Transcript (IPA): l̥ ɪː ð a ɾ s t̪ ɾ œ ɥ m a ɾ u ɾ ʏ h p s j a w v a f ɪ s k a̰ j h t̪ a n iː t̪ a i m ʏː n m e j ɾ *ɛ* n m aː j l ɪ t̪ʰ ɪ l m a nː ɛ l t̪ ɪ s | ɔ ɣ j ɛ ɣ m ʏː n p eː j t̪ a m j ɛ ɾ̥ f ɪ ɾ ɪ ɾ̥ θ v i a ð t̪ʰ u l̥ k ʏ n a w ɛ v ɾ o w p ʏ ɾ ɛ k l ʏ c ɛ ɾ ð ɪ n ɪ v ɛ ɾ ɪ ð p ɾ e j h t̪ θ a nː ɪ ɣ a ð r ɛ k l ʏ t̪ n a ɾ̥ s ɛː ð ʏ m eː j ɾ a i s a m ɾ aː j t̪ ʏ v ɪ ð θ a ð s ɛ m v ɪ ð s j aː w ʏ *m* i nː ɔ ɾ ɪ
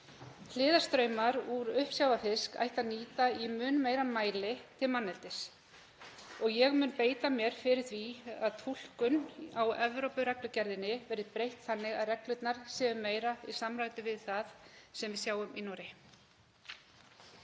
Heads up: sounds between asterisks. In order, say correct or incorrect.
incorrect: a, correct

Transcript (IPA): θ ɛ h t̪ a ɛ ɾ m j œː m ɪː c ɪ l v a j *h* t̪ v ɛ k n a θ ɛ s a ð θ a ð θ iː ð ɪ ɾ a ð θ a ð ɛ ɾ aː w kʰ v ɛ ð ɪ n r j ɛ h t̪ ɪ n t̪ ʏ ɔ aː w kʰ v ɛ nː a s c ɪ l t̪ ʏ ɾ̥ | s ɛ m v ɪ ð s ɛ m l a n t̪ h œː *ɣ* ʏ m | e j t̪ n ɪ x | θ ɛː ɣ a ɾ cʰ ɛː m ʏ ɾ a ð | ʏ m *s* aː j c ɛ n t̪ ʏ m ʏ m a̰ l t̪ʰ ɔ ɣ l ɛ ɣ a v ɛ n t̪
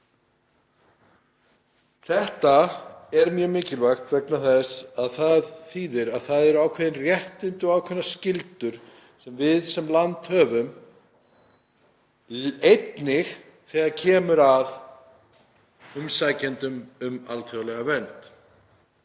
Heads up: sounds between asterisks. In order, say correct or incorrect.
incorrect: x, incorrect: v, correct

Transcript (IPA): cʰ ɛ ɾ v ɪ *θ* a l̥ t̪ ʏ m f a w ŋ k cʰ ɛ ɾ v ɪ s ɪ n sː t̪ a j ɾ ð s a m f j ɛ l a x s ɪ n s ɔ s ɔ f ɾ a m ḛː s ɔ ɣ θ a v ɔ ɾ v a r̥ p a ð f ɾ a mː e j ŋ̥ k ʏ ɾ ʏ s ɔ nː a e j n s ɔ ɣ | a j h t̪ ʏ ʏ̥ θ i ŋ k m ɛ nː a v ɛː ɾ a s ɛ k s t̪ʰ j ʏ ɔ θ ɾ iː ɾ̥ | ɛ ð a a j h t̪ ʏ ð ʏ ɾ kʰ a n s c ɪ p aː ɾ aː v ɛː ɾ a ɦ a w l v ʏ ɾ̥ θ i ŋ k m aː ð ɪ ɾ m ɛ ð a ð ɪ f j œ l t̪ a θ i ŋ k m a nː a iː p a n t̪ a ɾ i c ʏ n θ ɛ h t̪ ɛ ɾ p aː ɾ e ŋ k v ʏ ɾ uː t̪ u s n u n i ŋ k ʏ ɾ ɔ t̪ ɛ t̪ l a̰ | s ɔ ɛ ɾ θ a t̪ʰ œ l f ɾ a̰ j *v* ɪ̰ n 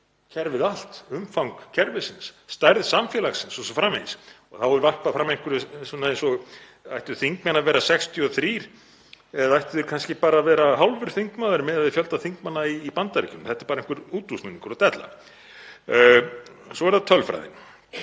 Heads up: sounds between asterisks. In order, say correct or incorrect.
incorrect: ð, incorrect: ð

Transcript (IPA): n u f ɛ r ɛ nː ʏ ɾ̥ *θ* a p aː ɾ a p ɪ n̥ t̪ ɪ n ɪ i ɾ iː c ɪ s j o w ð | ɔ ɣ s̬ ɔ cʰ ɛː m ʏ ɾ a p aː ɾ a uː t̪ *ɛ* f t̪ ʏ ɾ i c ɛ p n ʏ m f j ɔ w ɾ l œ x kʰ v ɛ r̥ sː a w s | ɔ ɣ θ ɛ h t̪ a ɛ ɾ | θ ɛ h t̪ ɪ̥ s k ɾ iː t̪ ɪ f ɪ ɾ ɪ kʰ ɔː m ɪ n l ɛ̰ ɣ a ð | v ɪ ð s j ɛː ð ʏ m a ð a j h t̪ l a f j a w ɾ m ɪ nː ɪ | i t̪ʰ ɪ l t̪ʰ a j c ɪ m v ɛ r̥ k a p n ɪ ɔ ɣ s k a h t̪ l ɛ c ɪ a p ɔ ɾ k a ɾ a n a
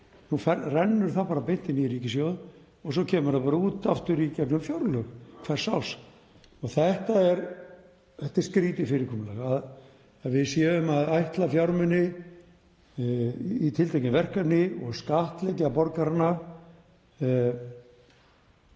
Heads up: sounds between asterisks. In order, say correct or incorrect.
correct, incorrect: a

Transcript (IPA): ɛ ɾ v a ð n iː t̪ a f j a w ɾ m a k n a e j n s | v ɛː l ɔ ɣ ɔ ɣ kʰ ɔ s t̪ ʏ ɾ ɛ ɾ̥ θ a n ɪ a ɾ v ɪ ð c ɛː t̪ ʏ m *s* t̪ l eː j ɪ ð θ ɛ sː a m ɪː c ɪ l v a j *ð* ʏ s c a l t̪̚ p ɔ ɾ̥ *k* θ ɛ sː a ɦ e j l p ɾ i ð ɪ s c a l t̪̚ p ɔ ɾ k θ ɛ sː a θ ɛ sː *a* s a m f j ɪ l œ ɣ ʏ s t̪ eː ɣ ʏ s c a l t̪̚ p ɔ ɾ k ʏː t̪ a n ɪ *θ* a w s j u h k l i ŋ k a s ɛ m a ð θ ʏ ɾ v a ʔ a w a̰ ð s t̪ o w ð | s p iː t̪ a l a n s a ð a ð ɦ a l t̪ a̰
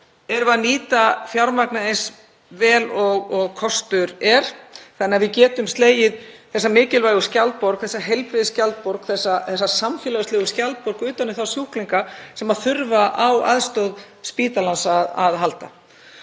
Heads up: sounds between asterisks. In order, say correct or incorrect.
correct, incorrect: ɣ, correct, correct, correct

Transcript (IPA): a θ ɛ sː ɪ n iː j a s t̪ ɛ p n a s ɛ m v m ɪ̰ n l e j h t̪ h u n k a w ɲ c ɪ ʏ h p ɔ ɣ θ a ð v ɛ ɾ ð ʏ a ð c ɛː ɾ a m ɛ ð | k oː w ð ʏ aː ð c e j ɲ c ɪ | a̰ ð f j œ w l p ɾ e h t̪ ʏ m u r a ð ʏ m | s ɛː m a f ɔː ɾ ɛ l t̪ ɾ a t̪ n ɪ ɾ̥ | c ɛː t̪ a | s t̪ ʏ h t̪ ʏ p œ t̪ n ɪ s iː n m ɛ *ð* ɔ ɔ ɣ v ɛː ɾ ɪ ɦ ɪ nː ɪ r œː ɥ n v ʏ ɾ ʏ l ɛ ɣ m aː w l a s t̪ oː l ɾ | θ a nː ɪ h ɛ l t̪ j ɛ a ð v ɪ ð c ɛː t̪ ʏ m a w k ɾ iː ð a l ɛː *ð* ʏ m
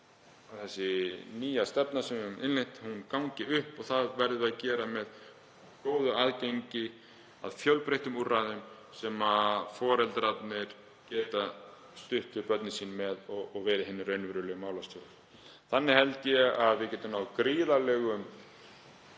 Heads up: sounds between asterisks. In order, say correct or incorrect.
correct, incorrect: ɣ

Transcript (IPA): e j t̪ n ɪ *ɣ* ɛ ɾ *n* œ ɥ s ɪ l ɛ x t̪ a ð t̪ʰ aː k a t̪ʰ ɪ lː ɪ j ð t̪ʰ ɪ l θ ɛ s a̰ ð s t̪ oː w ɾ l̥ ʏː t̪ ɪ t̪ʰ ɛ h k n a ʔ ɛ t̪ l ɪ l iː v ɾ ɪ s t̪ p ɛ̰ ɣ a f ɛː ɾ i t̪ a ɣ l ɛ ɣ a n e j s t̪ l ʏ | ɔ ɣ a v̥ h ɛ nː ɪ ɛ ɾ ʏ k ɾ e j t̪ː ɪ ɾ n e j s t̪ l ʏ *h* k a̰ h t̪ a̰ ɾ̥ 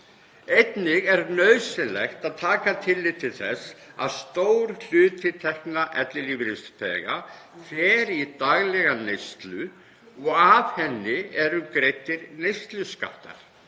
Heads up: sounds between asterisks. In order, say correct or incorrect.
correct, correct, incorrect: s

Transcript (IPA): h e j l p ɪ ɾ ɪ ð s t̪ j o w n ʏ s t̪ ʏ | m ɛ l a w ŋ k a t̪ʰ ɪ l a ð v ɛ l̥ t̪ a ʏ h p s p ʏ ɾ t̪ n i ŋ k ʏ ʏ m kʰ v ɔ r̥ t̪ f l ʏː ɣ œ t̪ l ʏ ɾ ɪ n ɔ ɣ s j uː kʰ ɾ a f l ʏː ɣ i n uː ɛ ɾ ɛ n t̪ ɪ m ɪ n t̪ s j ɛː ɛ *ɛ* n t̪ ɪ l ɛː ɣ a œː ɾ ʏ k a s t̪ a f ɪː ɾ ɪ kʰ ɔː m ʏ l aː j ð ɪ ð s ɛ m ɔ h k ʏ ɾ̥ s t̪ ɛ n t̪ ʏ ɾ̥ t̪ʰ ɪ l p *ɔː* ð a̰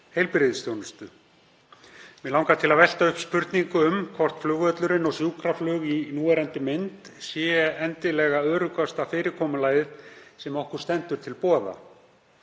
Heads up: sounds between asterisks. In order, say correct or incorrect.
correct, correct

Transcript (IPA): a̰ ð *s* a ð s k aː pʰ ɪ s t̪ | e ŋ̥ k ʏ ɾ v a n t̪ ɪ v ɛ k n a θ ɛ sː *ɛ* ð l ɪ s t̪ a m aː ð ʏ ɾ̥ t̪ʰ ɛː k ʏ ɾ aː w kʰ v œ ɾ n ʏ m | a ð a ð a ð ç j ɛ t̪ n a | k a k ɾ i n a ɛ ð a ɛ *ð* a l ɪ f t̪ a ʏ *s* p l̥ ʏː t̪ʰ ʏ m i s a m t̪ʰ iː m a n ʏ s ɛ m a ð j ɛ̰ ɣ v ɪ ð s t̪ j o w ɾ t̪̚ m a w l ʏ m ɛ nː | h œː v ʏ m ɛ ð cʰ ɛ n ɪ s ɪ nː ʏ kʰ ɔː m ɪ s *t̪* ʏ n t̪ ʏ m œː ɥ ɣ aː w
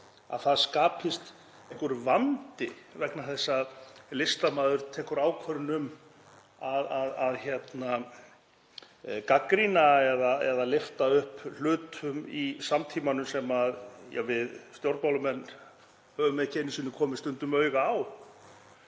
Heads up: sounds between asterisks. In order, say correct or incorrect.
incorrect: θ, incorrect: a, correct, incorrect: h, correct

